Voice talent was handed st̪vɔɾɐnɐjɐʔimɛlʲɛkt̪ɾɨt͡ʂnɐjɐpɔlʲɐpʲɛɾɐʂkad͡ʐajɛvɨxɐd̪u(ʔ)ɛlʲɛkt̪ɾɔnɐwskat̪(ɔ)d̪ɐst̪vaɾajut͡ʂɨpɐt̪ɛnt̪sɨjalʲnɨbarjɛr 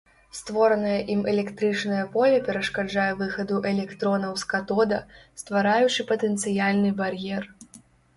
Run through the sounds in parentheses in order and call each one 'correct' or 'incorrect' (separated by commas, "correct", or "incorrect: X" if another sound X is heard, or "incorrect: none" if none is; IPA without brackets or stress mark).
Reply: correct, correct